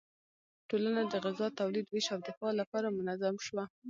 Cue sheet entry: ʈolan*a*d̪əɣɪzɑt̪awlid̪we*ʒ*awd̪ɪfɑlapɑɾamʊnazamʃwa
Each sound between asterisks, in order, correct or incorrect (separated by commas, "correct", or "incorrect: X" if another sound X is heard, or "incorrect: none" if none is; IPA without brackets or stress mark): correct, incorrect: ʃ